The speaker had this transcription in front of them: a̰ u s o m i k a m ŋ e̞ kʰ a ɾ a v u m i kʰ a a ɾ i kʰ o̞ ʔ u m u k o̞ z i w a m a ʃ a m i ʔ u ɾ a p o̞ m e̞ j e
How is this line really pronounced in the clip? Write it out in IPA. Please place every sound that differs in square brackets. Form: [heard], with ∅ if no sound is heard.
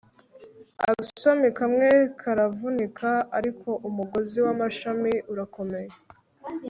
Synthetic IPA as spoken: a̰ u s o m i k a m ŋ e̞ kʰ a ɾ a v u [n] i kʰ a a ɾ i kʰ o̞ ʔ u m u [ɡ] o̞ z i w a m a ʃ a m i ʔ u ɾ a [k] o̞ m e̞ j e